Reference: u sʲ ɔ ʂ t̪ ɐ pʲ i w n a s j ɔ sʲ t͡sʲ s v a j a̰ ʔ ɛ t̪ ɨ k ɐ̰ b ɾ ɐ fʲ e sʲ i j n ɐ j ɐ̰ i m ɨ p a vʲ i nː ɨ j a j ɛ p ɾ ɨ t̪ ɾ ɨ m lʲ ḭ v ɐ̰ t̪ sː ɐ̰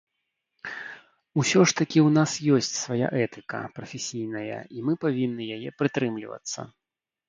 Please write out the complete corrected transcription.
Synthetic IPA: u sʲ ɔ ʂ t̪ ɐ kʲ i w n a s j ɔ sʲ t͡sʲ s v a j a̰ ʔ ɛ t̪ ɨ k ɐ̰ p ɾ ɐ fʲ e sʲ i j n ɐ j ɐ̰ i m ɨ p a vʲ i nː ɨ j a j ɛ p ɾ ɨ t̪ ɾ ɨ m lʲ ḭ v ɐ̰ t̪ sː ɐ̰